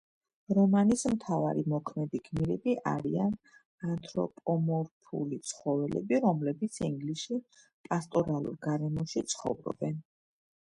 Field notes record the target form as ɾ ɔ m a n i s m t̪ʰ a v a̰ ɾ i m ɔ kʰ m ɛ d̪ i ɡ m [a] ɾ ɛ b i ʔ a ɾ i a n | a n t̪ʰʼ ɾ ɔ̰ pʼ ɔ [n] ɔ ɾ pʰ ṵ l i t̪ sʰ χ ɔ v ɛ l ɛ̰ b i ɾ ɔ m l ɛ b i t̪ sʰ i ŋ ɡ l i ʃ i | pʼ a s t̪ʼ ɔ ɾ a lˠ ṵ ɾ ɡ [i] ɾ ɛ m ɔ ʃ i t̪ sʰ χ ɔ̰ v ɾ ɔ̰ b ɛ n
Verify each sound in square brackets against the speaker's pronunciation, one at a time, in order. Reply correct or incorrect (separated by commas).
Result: incorrect, incorrect, incorrect